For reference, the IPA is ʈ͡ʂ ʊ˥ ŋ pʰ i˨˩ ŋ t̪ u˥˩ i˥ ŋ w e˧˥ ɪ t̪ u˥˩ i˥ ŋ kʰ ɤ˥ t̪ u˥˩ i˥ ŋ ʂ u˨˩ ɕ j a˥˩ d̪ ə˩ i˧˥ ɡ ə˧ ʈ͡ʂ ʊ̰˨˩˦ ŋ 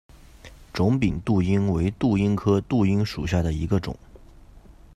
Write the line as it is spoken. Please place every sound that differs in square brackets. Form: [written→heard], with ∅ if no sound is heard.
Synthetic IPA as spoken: ʈ͡ʂ [ʊ˥→ʊ˧˥] ŋ [pʰ→p] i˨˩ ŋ t̪ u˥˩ i˥ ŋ w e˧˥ ɪ t̪ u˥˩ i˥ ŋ kʰ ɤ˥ t̪ u˥˩ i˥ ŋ ʂ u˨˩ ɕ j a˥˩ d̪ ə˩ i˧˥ ɡ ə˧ ʈ͡ʂ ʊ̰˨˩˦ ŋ